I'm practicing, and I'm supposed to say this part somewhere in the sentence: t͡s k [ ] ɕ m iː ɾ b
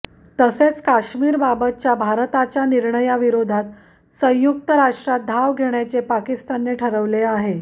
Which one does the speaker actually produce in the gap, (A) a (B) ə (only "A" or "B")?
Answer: A